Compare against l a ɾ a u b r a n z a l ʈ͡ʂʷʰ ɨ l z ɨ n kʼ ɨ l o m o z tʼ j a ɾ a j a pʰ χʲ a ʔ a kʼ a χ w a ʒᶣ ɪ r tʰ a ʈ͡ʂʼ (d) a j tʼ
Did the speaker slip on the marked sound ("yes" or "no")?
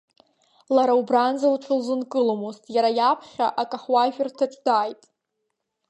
no